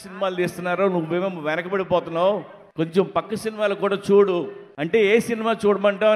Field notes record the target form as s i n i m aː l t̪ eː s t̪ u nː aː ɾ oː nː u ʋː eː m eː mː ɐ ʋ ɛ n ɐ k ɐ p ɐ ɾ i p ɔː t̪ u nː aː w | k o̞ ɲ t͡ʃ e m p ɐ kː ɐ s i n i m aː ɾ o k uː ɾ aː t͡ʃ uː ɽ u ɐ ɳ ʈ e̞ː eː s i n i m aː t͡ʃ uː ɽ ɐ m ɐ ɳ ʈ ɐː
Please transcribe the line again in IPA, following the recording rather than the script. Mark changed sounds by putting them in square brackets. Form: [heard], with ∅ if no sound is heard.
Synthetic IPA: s i n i m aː l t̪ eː s t̪ u nː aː ɾ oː [n] u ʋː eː m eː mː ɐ ʋ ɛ n ɐ k ɐ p ɐ [ɽ] i p ɔː t̪ u nː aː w | k o̞ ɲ t͡ʃ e m p ɐ kː ɐ s i n i m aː [l] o k uː [ɽ] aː t͡ʃ uː ɽ u ɐ ɳ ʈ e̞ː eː s i n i m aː t͡ʃ uː ɽ ɐ m ɐ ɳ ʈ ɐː